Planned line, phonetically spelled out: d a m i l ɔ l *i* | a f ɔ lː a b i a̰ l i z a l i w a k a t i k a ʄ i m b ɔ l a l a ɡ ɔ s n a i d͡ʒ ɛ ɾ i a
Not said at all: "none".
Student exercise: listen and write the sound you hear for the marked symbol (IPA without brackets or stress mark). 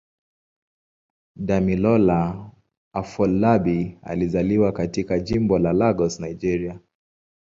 a